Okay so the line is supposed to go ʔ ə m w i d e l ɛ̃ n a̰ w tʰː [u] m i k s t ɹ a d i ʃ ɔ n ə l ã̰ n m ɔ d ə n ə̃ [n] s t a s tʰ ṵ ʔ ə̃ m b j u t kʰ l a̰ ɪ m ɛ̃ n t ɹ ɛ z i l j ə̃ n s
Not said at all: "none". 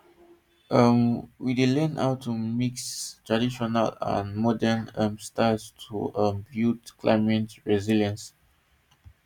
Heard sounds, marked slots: u, m

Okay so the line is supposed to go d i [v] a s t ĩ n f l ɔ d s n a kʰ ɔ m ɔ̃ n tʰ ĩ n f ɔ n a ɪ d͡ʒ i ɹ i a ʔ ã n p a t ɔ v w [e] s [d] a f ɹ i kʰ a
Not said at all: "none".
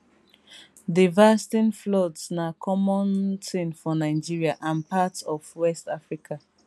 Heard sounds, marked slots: v, ɛ, t

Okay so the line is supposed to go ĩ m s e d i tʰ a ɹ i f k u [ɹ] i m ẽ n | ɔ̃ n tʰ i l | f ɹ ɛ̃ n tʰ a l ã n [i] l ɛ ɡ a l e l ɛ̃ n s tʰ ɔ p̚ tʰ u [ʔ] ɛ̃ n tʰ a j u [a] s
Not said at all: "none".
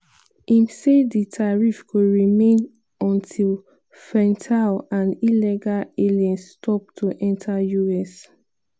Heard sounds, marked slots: ɹ, i, ʔ, ɛ

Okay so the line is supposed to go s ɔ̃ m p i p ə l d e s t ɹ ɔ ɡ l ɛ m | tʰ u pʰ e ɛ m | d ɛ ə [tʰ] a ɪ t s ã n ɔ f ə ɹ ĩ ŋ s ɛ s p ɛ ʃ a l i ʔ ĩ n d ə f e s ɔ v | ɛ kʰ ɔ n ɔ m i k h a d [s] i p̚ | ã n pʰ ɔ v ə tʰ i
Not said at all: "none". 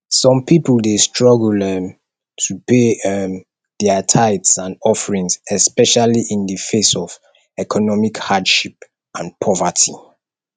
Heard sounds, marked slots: tʰ, ʃ

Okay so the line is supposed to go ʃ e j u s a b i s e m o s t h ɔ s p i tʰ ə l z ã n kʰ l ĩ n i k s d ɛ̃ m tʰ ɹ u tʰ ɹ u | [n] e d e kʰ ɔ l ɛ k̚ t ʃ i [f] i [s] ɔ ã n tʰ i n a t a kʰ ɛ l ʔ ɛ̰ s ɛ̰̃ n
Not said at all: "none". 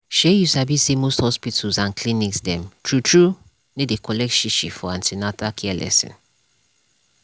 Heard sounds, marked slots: n, ʃ, f

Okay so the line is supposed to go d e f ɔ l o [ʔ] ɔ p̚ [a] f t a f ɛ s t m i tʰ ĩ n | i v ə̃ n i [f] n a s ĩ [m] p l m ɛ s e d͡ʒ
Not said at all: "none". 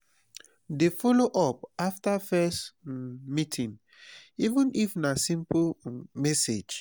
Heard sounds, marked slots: ʔ, a, f, m

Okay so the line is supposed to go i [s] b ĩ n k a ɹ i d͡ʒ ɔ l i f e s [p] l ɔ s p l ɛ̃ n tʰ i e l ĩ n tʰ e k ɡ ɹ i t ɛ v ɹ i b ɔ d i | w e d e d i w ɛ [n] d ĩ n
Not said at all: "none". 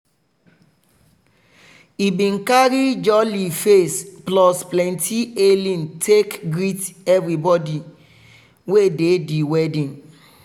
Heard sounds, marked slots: none, p, none

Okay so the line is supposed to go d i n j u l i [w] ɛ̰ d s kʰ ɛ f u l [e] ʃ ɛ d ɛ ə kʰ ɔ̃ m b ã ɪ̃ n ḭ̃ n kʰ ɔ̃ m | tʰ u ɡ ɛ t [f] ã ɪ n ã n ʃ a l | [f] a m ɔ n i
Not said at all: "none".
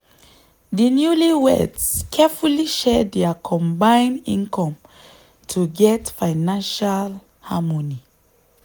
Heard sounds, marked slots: w, i, f, h

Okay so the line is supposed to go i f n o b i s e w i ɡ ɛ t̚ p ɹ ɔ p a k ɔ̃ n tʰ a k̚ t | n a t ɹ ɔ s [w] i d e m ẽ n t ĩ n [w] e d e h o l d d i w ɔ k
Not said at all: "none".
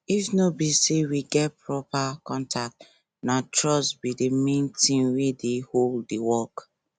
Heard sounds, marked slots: b, w

